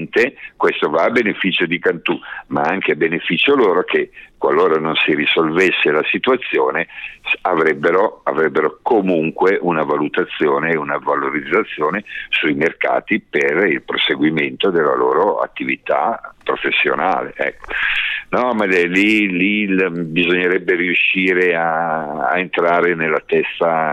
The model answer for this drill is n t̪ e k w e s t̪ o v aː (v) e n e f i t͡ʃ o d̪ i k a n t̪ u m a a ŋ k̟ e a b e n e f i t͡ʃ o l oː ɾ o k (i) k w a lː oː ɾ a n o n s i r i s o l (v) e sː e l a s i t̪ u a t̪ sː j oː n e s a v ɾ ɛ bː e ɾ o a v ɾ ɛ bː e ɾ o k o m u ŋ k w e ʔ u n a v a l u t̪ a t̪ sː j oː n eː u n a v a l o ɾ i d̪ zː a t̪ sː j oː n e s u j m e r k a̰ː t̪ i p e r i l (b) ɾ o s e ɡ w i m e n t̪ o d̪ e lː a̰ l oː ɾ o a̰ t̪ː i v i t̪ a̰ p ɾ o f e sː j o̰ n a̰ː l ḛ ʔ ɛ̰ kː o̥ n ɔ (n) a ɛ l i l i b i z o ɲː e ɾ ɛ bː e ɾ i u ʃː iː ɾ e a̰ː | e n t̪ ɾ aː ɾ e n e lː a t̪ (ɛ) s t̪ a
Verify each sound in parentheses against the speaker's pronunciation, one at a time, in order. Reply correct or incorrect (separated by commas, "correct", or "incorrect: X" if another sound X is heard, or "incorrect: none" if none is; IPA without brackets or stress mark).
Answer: incorrect: b, incorrect: e, correct, incorrect: p, incorrect: m, correct